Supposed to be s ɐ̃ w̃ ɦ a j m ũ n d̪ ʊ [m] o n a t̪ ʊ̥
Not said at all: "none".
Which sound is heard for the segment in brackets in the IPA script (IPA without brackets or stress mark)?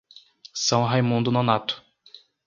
n